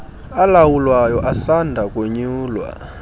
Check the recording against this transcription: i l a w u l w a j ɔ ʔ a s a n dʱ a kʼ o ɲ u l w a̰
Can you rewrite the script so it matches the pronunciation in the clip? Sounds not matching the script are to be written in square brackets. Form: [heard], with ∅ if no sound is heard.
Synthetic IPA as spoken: [a] l a w u l w a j ɔ ʔ a s a n dʱ a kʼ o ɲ [uː] l w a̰